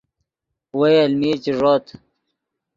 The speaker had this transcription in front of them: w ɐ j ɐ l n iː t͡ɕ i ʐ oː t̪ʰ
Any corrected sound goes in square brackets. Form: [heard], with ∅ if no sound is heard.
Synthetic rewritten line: w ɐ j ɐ l [m] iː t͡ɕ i ʐ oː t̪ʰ